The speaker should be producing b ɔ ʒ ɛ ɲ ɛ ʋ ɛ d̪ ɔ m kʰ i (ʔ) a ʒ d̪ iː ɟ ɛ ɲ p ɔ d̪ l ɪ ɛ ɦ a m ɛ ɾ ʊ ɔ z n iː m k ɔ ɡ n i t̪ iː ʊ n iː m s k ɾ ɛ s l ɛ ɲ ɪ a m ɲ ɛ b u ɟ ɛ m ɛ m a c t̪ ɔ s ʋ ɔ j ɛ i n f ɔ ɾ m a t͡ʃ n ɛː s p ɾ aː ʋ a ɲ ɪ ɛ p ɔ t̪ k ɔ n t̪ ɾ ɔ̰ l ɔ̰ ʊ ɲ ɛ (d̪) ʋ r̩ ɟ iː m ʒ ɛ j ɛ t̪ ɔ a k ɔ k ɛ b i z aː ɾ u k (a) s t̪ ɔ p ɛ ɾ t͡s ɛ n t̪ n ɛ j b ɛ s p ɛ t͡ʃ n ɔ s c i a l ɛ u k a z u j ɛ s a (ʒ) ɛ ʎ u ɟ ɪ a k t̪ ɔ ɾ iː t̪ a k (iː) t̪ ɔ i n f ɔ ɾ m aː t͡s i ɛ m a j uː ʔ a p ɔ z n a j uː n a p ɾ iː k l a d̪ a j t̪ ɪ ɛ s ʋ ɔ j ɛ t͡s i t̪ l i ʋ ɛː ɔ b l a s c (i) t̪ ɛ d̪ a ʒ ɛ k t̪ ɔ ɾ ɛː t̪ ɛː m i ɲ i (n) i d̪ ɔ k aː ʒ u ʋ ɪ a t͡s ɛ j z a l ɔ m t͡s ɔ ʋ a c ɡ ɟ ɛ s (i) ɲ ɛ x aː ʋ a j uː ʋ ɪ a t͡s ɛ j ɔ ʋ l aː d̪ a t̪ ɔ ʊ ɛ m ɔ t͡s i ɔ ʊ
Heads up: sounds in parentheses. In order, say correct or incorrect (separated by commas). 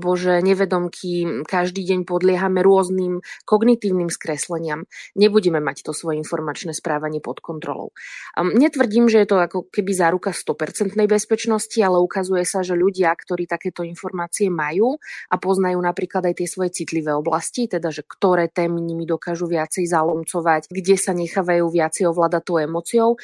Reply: incorrect, incorrect, correct, correct, incorrect, correct, incorrect, incorrect